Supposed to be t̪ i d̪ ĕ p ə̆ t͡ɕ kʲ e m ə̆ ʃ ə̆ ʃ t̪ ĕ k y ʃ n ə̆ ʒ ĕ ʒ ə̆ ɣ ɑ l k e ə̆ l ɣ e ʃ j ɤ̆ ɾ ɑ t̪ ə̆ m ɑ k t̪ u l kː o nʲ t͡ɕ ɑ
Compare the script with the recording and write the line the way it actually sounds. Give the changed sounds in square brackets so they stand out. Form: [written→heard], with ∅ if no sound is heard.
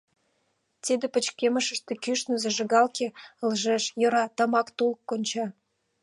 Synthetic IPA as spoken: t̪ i d̪ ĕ p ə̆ t͡ɕ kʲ e m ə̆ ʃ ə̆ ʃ t̪ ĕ k y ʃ n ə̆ [ʒ→z] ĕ ʒ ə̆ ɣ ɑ l k e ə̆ l [ɣ→ʒ] e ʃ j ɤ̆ ɾ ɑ t̪ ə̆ m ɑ k t̪ u l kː o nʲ t͡ɕ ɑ